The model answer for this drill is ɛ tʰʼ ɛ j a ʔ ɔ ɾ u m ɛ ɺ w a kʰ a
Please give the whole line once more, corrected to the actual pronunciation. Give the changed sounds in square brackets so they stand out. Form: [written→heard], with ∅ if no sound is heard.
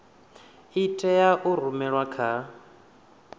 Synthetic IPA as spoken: [ɛ→i] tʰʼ ɛ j a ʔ [ɔ→u] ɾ u m ɛ ɺ w a kʰ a